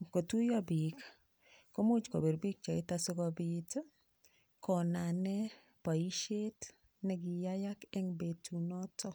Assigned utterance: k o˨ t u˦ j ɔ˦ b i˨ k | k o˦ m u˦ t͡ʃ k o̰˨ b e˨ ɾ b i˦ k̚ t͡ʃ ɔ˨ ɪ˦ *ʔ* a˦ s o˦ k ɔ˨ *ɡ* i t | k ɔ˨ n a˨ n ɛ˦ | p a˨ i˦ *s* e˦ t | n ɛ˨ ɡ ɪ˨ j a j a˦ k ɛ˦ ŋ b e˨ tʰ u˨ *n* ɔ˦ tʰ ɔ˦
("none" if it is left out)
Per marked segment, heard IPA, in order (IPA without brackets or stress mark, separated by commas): t, b, ʃ, n